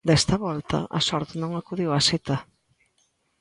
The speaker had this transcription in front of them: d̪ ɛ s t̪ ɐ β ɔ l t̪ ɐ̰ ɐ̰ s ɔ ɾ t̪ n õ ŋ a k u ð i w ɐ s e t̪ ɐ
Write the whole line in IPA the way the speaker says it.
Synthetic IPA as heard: d̪ ɛ s t̪ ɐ β ɔ l t̪ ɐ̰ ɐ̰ s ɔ ɾ t̪ n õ ŋ a k u ð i w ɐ s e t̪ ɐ

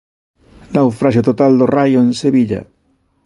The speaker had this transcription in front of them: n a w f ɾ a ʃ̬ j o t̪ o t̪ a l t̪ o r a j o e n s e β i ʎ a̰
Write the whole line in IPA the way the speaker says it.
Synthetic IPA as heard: n a w f ɾ a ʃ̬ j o t̪ o t̪ a l d̪ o r a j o e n s e β i ʎ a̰

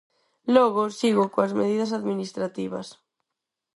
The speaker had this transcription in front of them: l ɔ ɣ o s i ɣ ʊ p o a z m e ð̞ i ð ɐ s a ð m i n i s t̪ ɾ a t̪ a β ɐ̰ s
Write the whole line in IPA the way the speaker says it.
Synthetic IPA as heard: l ɔ ɣ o s i ɣ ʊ k o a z m e ð̞ i ð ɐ s a ð m i n i s t̪ ɾ a t̪ i β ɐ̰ s

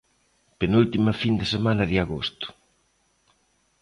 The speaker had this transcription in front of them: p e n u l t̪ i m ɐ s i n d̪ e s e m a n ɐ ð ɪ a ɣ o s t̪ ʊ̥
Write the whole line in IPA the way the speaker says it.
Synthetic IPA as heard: p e n u l t̪ i m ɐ f i n d̪ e s e m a n ɐ ð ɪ a ɣ o s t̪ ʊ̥

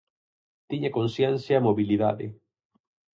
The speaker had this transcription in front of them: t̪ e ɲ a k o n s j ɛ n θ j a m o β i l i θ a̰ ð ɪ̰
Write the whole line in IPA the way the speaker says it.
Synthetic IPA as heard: t̪ i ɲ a k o n s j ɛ n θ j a m o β i l i ð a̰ ð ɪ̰

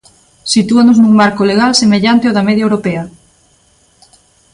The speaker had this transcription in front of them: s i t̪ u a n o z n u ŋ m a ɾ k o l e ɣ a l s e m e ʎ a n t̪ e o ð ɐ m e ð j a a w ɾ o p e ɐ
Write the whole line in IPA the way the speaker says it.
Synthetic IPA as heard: s i t̪ u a n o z n u ŋ m a ɾ k o l e ɣ a l s e m e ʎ a n t̪ e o ð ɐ m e ð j a e w ɾ o p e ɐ

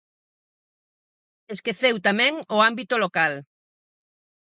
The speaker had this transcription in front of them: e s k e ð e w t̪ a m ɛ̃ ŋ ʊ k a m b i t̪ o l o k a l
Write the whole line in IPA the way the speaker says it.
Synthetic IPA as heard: e s k e θ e w t̪ a m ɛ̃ ŋ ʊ a m b i t̪ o l o k a l

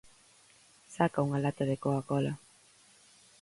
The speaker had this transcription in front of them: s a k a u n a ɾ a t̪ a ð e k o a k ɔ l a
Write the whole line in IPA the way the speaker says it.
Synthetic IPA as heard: s a k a u ŋ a l a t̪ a ð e k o a k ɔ l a

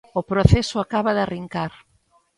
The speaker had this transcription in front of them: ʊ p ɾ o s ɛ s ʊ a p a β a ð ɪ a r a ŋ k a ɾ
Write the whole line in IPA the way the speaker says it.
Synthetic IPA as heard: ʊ p ɾ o θ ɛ s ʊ a k a β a ð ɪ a r i ŋ k a ɾ

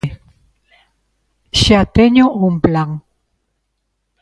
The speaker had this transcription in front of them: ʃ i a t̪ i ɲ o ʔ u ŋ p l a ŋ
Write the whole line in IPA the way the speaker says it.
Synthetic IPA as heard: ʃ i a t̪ e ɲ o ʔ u m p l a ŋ

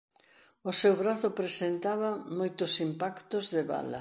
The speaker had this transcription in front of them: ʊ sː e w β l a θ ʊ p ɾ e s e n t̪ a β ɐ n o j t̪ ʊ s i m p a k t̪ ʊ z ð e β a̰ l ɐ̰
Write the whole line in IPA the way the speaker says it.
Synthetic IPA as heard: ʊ s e w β ɾ a θ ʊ p ɾ e s e n t̪ a β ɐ m o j t̪ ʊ s i m p a k t̪ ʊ z ð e β a̰ l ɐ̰

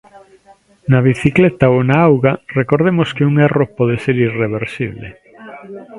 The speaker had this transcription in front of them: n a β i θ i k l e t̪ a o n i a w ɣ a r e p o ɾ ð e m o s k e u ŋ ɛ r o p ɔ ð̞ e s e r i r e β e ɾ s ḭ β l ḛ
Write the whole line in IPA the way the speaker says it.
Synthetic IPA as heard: n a β i θ i k l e t̪ a o n a a w ɣ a r e k o ɾ ð e m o s k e u ŋ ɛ r o p ɔ ð̞ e s e ɾ i r e β e ɾ s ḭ β l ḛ

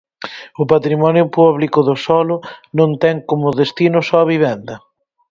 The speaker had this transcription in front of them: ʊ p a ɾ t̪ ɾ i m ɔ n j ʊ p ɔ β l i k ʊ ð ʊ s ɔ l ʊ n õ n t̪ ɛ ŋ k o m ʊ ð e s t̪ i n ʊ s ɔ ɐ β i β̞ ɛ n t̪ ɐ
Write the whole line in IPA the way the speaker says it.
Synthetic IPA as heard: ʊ p a t̪ ɾ i m ɔ n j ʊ p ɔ β l i k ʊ ð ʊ s ɔ l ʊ n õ n t̪ ɛ ŋ k o m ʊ ð e s t̪ i n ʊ s ɔ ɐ β i β̞ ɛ n d̪ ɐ

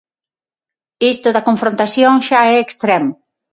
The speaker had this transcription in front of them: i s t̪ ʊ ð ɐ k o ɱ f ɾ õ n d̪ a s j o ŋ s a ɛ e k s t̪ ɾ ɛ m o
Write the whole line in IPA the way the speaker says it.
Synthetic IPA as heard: i s t̪ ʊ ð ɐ k o ɱ f ɾ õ n t̪ a s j o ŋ ʃ a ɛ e k s t̪ ɾ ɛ m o

